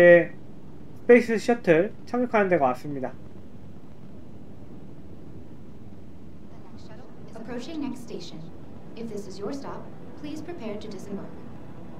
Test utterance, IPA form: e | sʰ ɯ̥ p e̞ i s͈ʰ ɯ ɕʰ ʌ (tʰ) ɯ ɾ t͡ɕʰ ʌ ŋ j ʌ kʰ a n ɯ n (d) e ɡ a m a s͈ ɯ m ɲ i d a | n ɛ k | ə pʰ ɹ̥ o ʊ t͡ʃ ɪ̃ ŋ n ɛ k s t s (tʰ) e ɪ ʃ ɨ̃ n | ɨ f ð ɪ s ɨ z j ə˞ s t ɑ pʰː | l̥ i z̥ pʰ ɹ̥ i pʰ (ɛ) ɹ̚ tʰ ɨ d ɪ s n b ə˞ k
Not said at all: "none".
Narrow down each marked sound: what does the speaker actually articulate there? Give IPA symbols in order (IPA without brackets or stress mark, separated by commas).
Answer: tʰ, d, t, ɛ